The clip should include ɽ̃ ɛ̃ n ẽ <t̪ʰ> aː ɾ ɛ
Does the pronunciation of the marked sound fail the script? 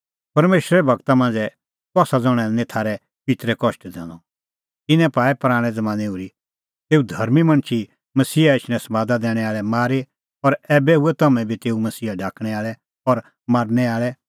no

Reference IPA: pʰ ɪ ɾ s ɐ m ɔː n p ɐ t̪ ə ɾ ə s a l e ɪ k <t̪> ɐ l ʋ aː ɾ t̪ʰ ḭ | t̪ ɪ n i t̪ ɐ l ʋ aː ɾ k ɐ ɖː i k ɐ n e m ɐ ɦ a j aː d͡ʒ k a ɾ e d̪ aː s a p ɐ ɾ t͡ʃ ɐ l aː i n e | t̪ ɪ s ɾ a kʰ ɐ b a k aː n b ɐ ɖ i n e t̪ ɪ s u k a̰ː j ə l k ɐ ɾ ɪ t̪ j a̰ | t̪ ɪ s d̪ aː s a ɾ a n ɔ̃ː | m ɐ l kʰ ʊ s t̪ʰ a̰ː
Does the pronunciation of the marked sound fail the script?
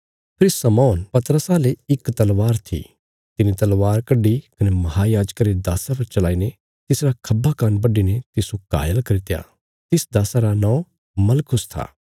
no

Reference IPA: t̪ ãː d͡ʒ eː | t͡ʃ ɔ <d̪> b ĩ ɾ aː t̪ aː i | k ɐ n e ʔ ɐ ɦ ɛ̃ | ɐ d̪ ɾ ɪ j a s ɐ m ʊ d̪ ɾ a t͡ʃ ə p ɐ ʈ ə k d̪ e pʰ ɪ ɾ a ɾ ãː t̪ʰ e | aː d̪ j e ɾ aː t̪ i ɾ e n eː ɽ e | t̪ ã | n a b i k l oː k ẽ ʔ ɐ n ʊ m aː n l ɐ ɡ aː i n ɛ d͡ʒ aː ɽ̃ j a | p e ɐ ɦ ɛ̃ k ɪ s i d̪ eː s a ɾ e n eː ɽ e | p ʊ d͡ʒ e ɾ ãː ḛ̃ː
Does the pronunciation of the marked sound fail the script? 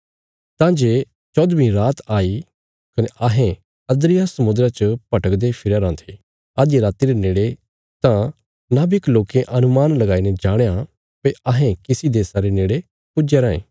no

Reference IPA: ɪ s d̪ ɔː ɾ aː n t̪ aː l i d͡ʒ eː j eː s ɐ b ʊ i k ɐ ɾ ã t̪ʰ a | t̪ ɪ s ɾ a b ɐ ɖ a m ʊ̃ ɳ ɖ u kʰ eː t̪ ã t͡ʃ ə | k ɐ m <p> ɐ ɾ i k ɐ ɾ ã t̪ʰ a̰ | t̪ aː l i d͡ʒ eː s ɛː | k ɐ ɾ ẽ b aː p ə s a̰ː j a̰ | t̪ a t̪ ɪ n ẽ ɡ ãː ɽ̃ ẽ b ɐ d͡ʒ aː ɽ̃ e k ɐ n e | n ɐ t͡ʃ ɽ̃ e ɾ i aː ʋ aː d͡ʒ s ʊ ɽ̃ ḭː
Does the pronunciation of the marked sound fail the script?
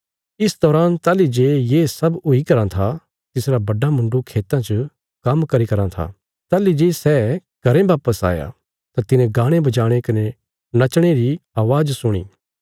yes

